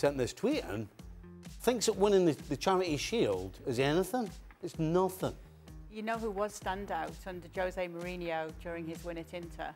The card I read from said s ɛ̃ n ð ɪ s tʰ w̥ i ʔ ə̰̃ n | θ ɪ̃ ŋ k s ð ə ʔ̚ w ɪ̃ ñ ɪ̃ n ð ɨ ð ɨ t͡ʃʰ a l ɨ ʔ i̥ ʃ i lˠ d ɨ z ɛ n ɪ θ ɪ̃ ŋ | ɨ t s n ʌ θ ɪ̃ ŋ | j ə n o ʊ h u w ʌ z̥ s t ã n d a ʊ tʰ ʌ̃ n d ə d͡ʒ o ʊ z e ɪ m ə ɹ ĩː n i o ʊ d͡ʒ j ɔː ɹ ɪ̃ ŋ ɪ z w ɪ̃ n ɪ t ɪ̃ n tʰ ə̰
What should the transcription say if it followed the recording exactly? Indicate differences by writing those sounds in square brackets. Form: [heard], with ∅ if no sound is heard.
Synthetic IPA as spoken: s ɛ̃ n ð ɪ s tʰ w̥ i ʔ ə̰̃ n | θ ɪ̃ ŋ k s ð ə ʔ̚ w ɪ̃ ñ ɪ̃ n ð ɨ ð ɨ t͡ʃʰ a [ɹ] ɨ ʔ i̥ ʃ i lˠ d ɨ z ɛ n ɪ θ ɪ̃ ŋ | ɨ t s n ʌ θ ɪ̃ ŋ | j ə n o ʊ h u w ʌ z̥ s t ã n d a ʊ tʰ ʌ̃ n d ə d͡ʒ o ʊ z e ɪ m ə ɹ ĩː n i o ʊ d͡ʒ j ɔː ɹ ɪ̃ ŋ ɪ z w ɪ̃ n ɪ t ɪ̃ n tʰ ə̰